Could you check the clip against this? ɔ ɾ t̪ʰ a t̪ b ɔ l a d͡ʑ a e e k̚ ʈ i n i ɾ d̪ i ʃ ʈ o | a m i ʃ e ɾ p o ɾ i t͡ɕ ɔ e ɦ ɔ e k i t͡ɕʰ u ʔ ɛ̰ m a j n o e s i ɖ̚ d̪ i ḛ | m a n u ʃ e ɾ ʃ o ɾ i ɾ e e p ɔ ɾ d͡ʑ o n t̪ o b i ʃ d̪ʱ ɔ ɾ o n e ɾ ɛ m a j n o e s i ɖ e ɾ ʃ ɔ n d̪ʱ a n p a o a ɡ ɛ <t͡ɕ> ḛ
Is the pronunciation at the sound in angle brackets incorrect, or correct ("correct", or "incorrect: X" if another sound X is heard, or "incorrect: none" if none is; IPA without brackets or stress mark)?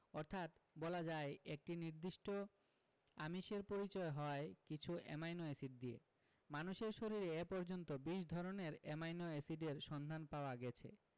incorrect: t͡ɕʰ